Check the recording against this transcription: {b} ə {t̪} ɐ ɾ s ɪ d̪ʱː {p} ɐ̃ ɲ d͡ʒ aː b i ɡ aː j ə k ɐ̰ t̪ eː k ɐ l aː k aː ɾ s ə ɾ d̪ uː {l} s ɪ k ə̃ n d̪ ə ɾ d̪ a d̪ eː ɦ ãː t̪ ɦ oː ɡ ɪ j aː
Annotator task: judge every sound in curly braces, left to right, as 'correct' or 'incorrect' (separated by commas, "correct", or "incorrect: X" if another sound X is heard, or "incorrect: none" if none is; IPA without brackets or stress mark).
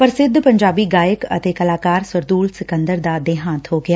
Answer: incorrect: p, incorrect: none, correct, correct